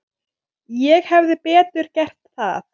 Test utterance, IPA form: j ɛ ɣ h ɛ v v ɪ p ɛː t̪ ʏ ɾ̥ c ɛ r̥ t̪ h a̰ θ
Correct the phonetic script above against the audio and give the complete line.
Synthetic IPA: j ɛ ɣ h ɛ v ð ɪ p ɛː t̪ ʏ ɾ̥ c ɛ r̥ t̪ θ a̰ θ